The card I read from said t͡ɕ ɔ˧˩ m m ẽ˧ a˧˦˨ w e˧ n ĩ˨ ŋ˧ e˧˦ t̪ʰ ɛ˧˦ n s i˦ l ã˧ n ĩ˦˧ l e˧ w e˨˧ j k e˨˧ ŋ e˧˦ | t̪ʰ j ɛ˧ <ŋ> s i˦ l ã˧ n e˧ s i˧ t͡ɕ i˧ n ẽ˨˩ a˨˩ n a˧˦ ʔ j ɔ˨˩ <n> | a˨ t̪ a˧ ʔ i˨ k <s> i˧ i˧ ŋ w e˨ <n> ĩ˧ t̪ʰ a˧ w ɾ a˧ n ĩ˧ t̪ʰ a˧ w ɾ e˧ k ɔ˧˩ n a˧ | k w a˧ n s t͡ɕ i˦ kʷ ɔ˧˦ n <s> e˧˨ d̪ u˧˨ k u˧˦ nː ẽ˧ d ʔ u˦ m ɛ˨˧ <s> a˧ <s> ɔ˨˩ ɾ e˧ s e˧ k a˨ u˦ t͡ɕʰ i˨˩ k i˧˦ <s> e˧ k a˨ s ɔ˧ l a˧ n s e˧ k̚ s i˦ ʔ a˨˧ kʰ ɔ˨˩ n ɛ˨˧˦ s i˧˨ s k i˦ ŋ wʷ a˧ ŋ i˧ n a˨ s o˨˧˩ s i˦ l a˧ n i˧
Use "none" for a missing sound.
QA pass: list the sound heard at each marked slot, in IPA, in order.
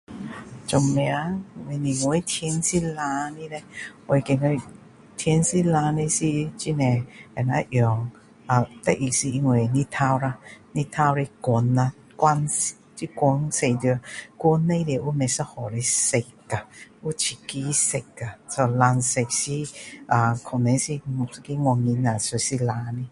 n, ŋ, s, n, s, s, h, s

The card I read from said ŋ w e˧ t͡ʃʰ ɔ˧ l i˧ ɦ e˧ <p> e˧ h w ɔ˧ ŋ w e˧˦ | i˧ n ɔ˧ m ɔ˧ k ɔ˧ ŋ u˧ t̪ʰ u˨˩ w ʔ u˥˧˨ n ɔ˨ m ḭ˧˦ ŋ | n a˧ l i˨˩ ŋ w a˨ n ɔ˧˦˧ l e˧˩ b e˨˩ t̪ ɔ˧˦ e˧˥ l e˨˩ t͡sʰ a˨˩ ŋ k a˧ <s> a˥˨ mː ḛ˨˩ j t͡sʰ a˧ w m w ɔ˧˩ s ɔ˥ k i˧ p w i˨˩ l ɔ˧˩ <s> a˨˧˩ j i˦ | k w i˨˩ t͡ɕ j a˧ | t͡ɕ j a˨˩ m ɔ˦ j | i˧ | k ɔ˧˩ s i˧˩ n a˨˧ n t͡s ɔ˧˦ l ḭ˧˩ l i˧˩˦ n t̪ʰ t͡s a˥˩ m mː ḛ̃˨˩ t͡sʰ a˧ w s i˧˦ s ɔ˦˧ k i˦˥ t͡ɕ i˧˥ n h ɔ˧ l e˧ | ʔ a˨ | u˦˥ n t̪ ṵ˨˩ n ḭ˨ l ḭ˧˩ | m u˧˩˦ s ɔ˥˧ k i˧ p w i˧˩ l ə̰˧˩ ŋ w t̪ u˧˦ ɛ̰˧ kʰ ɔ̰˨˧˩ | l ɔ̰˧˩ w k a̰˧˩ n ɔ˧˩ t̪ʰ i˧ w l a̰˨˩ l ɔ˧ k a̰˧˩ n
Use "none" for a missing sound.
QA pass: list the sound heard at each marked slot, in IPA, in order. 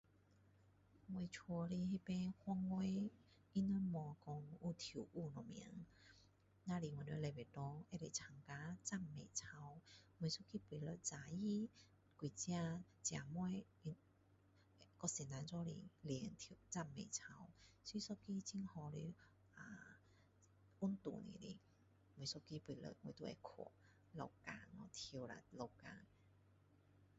p, t͡s, t͡s

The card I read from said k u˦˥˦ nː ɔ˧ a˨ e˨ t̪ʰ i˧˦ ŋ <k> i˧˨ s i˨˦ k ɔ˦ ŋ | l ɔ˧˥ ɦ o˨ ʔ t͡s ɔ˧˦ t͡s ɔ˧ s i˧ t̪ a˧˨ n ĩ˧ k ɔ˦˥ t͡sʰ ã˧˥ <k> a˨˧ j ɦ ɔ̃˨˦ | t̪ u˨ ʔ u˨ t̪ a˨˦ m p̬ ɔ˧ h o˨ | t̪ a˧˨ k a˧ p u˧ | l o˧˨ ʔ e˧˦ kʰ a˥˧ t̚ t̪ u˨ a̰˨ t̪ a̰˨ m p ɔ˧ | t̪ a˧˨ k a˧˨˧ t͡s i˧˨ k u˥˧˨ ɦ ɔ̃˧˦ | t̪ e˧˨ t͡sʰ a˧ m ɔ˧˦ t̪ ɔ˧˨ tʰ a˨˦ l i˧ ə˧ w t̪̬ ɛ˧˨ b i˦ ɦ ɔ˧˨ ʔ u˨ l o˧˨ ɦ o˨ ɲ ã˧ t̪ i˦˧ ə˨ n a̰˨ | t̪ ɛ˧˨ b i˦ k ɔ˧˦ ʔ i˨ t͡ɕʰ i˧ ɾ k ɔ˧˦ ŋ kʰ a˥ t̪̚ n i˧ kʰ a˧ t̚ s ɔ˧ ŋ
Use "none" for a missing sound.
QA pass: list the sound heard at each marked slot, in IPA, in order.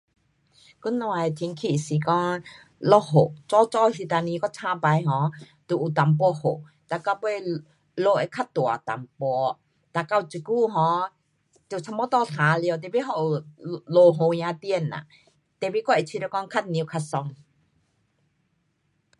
kʰ, p

